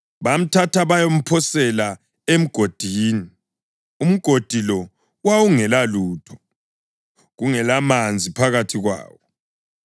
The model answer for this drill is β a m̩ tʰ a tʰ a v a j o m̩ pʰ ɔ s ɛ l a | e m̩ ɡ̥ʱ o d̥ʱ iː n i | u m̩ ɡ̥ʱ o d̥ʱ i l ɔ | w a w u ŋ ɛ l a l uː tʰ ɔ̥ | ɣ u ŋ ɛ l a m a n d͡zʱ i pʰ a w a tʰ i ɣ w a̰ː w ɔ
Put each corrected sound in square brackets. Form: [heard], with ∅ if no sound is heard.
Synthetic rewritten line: β a m̩ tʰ a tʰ a [β] a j o m̩ pʰ ɔ s ɛ l a | e m̩ ɡ̥ʱ o d̥ʱ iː n i | u m̩ ɡ̥ʱ o d̥ʱ i l ɔ | w a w u ŋ ɛ l a l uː tʰ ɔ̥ | ɣ u ŋ ɛ l a m a n d͡zʱ i pʰ a [ɣ] a tʰ i ɣ w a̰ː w ɔ